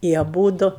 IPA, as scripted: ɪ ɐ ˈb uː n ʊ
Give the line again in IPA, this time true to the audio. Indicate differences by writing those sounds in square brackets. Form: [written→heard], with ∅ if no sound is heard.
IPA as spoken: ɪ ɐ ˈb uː [n→d] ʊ